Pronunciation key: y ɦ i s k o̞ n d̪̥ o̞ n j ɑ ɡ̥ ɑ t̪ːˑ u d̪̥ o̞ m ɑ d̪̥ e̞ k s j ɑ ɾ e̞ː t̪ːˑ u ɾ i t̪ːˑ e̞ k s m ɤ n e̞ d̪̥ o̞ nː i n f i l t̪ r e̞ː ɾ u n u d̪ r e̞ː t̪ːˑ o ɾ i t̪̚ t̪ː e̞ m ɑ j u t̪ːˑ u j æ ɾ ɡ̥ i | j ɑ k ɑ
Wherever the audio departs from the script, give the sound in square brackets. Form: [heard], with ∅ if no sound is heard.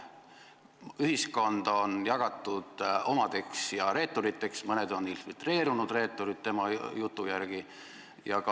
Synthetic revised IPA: y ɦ i s k o̞ n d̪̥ o̞ n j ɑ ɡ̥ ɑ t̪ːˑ u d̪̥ o̞ m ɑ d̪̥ e̞ k s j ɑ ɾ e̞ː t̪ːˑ [o] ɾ i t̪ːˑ e̞ k s m ɤ n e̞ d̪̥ o̞ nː i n f i l t̪ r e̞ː ɾ u n u d̪ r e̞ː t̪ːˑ o ɾ i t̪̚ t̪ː e̞ m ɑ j u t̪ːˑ u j æ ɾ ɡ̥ i | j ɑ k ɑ